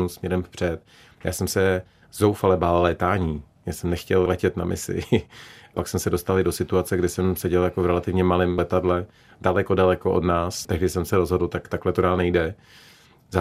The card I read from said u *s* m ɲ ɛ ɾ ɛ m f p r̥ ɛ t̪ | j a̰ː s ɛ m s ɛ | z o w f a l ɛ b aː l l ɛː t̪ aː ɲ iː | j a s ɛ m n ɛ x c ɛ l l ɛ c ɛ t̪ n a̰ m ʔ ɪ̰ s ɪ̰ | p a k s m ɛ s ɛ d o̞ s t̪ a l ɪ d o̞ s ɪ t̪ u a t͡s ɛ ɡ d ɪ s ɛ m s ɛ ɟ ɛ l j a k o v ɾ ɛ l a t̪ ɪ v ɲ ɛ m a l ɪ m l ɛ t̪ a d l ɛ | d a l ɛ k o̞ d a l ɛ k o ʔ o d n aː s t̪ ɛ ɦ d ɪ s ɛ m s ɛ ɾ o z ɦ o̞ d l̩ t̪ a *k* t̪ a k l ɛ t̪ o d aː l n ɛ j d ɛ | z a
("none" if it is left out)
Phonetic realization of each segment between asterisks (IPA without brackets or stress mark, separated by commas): s, k